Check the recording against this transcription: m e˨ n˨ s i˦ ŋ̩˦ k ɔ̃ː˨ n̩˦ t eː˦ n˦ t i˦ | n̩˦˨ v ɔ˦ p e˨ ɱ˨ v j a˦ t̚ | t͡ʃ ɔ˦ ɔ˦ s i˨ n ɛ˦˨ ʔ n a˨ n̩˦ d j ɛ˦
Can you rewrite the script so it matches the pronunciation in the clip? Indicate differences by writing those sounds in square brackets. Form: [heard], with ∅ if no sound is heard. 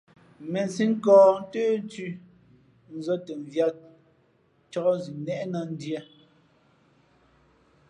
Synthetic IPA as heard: m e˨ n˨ s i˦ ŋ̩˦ k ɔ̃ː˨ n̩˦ t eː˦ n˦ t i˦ | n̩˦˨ [z] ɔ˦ [t] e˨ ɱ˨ v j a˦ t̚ | t͡ʃ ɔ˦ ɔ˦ [z] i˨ n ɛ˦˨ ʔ n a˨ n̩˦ d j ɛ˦